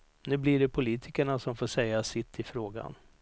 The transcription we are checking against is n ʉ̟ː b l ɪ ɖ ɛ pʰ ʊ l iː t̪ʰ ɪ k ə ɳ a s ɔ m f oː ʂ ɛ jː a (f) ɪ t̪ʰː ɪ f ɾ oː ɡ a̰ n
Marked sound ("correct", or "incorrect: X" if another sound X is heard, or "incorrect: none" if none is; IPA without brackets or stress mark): incorrect: s